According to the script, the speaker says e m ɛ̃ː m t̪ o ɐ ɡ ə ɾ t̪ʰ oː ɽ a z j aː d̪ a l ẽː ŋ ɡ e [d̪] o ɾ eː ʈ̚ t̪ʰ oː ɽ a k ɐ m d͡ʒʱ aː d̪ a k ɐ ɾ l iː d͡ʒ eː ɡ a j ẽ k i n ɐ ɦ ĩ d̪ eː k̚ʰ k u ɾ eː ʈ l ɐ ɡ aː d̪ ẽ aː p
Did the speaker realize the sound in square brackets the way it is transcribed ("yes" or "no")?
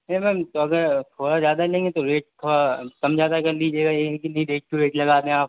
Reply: no